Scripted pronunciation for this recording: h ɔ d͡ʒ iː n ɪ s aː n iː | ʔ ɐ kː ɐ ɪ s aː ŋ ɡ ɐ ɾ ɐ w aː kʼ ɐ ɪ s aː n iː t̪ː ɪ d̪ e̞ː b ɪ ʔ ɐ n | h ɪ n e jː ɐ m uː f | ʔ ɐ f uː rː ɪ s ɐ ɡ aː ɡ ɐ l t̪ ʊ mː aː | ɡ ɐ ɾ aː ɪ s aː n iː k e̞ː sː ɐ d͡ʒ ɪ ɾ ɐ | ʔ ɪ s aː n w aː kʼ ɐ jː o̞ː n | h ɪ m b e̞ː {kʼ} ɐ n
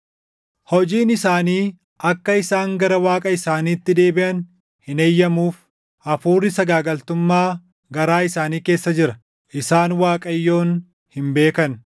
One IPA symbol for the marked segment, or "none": k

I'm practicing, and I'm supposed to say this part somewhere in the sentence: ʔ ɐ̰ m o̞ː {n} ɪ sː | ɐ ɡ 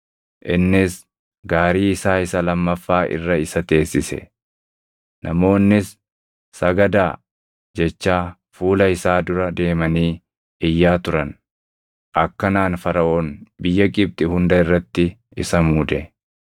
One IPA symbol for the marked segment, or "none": nː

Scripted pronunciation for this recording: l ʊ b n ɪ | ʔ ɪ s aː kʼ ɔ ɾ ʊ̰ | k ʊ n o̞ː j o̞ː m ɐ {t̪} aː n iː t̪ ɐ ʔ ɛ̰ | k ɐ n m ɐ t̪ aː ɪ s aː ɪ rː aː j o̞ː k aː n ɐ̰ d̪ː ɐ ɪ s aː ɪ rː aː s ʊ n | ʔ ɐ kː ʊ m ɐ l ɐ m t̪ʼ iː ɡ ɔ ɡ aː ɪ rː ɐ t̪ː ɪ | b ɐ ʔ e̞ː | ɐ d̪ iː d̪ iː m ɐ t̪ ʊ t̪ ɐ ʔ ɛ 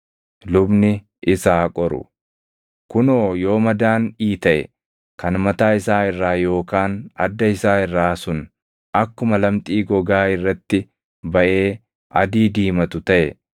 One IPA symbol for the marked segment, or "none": d̪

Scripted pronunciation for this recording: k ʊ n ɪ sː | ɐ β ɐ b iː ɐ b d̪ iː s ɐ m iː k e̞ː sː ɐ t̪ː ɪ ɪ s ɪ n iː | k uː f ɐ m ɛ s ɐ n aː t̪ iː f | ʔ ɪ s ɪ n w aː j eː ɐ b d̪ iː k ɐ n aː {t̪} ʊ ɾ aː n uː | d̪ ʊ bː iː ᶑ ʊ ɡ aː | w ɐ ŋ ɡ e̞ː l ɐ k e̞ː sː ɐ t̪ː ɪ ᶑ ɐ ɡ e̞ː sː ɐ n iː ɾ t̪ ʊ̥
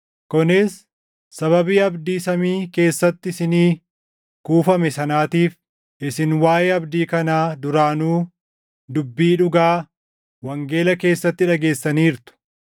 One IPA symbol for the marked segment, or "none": d̪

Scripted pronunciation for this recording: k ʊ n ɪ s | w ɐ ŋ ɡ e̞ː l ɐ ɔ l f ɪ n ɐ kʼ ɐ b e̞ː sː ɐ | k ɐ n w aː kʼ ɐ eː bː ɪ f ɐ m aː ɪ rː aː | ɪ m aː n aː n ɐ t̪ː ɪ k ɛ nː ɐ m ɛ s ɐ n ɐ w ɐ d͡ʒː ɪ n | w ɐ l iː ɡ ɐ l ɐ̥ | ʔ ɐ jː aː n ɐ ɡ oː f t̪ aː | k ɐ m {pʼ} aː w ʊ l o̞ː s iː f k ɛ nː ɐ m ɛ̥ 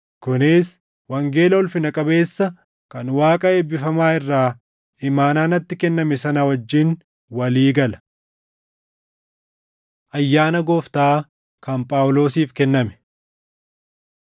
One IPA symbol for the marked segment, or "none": pʼ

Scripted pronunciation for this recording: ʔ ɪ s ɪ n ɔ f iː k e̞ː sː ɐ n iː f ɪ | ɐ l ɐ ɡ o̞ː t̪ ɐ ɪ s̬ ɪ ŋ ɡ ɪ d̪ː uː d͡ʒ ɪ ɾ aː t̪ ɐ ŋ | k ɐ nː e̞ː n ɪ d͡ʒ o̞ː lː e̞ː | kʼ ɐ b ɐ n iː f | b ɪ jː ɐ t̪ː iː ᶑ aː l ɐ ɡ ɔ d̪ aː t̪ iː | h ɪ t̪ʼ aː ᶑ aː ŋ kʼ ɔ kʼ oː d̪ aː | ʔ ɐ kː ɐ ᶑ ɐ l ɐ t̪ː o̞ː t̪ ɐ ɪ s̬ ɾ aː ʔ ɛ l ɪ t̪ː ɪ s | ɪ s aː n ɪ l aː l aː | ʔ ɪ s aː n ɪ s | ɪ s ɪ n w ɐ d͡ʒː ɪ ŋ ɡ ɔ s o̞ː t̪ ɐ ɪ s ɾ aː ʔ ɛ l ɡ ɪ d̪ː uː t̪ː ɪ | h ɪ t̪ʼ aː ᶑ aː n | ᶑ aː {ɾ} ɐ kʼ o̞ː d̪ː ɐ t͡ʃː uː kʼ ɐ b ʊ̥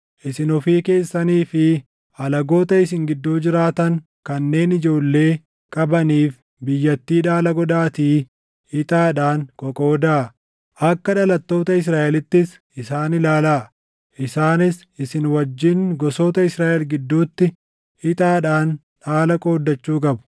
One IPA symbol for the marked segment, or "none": l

